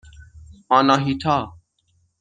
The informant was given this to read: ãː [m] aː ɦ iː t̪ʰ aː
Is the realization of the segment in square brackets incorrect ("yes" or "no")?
yes